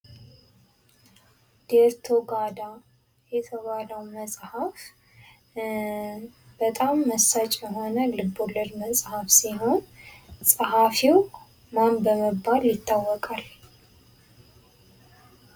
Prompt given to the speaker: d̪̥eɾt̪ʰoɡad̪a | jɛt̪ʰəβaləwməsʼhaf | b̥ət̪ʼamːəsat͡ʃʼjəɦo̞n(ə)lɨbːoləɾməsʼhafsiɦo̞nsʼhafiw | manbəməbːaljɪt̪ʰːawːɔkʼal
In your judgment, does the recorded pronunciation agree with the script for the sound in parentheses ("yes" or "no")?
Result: yes